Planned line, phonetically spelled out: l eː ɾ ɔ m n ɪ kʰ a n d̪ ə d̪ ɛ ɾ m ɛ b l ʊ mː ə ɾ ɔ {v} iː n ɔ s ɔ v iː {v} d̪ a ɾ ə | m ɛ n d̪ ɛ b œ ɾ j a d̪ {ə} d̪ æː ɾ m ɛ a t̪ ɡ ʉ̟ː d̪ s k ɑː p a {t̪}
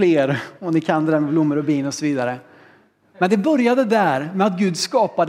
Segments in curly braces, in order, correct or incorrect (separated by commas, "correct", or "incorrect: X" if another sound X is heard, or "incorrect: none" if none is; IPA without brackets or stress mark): incorrect: b, incorrect: none, correct, incorrect: d̪